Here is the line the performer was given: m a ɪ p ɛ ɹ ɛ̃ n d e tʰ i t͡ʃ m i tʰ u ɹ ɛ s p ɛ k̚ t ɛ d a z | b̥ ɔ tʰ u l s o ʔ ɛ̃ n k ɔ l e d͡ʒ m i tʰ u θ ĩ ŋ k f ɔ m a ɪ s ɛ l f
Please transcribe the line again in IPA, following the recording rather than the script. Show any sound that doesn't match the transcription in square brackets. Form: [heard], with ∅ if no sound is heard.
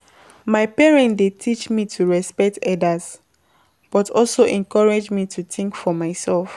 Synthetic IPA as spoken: m a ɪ p ɛ ɹ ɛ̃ n d e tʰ i t͡ʃ m i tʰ u ɹ ɛ s p ɛ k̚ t ɛ d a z | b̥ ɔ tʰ [ɔ] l s o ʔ ɛ̃ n k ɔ [ɹ] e d͡ʒ m i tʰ u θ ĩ ŋ k f ɔ m a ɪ s ɛ l f

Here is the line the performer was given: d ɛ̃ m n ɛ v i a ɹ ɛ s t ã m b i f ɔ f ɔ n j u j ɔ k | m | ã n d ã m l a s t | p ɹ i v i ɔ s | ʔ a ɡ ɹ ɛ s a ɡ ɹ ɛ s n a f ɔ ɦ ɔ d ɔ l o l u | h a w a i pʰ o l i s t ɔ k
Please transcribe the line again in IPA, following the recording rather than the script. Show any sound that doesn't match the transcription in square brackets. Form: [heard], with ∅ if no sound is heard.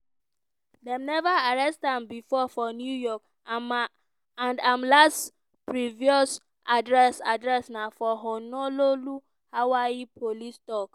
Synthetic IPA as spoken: d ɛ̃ m n ɛ v [a] a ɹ ɛ s t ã m b i f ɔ f ɔ n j u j ɔ k | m | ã n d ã m l a s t | p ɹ i v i ɔ s | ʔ a [d] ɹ ɛ s a [d] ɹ ɛ s n a f ɔ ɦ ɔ [n] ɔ l o l u | h a w a i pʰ o l i s t ɔ k

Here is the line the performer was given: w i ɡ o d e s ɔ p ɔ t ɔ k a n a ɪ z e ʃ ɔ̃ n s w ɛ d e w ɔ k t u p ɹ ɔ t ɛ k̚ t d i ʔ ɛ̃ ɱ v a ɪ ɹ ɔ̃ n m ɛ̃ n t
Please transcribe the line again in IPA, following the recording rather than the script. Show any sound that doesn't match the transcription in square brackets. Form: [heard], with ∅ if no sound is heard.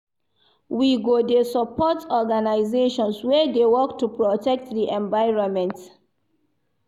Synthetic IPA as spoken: w i ɡ o d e s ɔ p ɔ t ɔ [ɡ] a n a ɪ z e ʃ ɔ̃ n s w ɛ d e w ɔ k t u p ɹ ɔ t ɛ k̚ t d i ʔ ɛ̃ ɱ v a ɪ ɹ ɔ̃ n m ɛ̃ n t

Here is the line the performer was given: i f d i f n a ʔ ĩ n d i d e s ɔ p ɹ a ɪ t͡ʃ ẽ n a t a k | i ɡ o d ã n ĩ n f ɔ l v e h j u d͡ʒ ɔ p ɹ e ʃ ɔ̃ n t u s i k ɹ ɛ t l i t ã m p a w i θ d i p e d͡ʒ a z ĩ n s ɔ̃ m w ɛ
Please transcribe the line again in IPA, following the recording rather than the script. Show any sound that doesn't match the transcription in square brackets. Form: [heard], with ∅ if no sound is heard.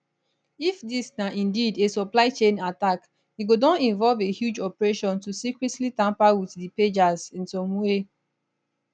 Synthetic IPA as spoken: i f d i [s] n a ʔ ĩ n d i d e s ɔ p [l] a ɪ t͡ʃ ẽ n a t a k | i ɡ o d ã n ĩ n [v] ɔ l v e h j u d͡ʒ ɔ p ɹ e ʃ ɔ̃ n t u s i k ɹ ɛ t l i t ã m p a w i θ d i p e d͡ʒ a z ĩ n s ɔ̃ m w [e]

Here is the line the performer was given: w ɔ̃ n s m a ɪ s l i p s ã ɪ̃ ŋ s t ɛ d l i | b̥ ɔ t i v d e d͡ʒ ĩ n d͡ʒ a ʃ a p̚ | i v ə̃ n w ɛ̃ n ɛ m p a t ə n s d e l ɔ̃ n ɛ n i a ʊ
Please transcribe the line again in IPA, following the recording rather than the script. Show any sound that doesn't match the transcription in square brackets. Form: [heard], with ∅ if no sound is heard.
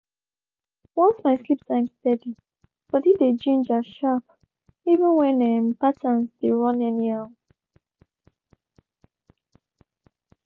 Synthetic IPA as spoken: w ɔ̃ n s m a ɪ s l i p s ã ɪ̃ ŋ s t ɛ d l i | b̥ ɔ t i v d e d͡ʒ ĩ n d͡ʒ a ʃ a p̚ | i v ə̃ n w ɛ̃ n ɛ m p a t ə n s d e [ɹ] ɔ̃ n ɛ n i a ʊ

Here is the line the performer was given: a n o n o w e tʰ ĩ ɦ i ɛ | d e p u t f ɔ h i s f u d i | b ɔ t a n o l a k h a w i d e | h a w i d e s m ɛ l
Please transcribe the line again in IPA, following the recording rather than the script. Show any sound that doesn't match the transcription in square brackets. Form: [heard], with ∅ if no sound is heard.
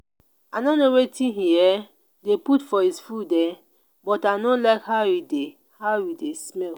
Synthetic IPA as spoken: a n o n o w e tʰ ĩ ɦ i ɛ | d e p u t f ɔ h i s f u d [ɛ] | b ɔ t a n o l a k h a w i d e | h a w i d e s m ɛ l

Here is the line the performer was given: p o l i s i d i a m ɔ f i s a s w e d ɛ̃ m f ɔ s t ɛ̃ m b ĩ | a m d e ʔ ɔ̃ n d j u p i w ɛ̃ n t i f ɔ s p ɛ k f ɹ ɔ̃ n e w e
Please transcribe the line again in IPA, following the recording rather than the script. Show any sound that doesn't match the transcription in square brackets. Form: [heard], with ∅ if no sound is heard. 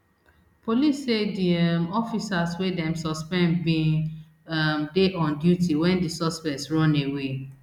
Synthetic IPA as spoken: p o l i s [e] d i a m ɔ f i s a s w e d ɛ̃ m [s] ɔ s [p] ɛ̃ [n] b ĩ | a m d e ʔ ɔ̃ n d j u [t] i w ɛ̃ n [d] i [s] ɔ s p ɛ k [s] ɹ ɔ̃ n e w e

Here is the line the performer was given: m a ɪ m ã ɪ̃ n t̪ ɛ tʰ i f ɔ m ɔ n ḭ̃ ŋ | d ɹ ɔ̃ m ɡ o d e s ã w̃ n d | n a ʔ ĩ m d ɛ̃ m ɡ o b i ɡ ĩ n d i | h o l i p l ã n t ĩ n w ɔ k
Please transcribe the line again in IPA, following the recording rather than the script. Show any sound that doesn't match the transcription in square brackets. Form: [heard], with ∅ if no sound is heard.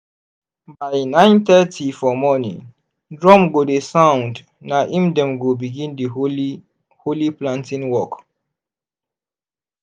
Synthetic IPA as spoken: [b] a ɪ [n] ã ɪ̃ n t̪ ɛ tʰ i f ɔ m ɔ n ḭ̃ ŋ | d ɹ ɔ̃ m ɡ o d e s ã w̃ n d | n a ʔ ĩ m d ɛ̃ m ɡ o b i ɡ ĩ n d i | h o l i p l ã n t ĩ n w ɔ k

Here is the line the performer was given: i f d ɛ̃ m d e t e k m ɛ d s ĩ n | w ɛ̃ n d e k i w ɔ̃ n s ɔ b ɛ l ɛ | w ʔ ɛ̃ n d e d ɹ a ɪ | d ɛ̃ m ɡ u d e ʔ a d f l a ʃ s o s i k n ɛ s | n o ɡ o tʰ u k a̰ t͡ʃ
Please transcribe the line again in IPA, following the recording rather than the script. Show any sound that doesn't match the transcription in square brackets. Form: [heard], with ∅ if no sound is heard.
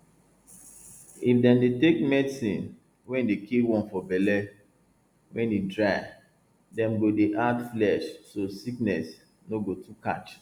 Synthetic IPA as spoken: i f d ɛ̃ m d e t e k m ɛ d s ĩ n | w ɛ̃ n d e k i w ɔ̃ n [f] ɔ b ɛ l ɛ | w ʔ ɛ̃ n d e d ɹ a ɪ | d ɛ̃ m ɡ [o] d e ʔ a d f l [ɛ] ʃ s o s i k n ɛ s | n o ɡ o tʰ u k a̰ t͡ʃ

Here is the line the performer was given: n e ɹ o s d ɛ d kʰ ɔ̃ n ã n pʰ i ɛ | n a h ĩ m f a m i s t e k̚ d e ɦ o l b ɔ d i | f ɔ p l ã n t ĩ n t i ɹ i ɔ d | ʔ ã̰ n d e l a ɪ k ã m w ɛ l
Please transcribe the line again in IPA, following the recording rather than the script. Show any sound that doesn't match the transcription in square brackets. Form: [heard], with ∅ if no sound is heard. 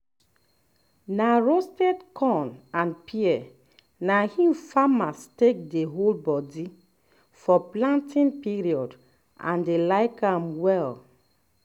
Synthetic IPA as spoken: n [a] ɹ o s [t] ɛ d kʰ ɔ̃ n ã n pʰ i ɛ | n a h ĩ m f a m [a] s t e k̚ d e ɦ o l b ɔ d i | f ɔ p l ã n t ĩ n [p] i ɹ i ɔ d | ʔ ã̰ n d e l a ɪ k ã m w ɛ l

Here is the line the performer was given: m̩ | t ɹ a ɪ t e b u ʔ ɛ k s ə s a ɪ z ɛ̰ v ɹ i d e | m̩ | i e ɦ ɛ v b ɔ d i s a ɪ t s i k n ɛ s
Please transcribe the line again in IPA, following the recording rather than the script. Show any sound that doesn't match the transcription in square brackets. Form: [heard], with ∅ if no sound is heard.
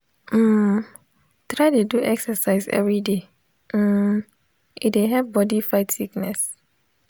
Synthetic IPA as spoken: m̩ | t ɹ a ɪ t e [d] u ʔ ɛ k s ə s a ɪ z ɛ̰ v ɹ i d e | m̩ | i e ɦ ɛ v b ɔ d i [f] a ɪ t s i k n ɛ s

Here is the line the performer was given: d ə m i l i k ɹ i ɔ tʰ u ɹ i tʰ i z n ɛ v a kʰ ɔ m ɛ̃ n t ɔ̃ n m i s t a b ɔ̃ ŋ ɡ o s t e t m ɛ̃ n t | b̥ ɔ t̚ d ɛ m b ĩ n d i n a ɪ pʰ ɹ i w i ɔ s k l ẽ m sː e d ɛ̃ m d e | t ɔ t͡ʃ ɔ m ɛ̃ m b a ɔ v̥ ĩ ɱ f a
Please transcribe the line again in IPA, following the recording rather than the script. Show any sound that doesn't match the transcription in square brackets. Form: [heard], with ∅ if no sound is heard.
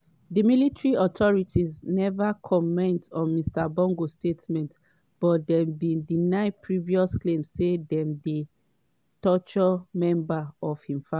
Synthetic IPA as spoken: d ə m i l i [t] ɹ i ɔ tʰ [ɔ] ɹ i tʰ i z n ɛ v a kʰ ɔ m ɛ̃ n t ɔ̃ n m i s t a b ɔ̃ ŋ ɡ o s t e t m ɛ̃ n t | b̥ ɔ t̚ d ɛ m b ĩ n d i n a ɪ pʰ ɹ i [v] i ɔ s k l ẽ m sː e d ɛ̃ m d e | t ɔ t͡ʃ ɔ m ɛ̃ m b a ɔ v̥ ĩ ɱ f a

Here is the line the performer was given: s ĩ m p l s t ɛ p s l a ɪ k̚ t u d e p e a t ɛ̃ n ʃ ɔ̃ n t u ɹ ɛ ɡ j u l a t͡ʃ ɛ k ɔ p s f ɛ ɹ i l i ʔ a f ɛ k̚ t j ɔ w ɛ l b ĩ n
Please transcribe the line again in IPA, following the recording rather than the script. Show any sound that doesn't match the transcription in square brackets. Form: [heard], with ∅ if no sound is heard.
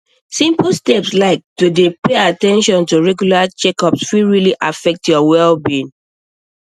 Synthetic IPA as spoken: s ĩ m p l s t ɛ p s l a ɪ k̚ t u d e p e a t ɛ̃ n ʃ ɔ̃ n t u ɹ ɛ ɡ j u l a t͡ʃ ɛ k ɔ p s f [i] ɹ i l i ʔ a f ɛ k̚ t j ɔ w ɛ l b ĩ n

